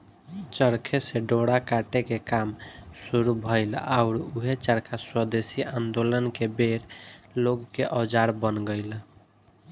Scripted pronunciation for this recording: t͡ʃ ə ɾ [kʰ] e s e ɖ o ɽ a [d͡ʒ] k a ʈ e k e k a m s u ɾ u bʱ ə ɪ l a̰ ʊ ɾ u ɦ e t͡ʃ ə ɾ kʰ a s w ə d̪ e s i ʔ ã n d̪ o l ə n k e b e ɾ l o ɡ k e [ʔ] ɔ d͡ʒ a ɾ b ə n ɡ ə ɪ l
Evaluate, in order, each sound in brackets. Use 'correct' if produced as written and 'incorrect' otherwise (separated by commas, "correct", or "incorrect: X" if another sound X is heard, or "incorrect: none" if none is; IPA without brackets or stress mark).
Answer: correct, incorrect: none, correct